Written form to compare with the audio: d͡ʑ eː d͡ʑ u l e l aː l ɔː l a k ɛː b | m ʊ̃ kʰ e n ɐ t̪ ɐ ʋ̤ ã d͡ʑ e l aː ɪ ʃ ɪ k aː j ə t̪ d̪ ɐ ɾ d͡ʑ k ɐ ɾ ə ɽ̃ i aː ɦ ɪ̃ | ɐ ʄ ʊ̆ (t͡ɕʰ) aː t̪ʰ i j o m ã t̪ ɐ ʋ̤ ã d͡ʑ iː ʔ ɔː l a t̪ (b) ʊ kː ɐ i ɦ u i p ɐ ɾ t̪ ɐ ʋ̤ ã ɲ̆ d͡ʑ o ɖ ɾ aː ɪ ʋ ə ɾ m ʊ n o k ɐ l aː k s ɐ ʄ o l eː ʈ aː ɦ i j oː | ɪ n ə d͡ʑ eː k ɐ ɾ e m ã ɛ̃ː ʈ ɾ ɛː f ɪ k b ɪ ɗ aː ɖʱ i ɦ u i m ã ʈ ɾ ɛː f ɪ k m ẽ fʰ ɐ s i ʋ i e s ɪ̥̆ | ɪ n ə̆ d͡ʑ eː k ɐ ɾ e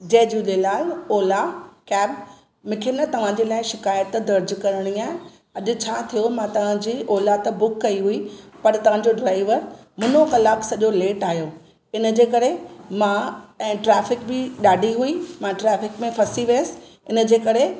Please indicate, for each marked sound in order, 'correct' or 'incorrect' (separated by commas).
correct, correct